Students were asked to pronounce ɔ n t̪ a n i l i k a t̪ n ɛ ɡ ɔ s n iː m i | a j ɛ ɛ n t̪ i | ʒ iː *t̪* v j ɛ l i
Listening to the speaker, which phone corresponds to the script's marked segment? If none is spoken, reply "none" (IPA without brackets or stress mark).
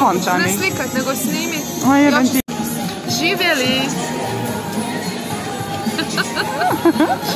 none